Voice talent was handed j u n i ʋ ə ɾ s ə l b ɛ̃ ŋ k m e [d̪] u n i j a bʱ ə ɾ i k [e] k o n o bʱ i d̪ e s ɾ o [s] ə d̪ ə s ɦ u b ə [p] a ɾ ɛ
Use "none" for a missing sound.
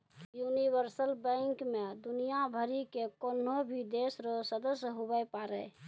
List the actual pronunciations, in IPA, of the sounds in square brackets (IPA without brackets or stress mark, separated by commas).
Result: d̪, e, s, p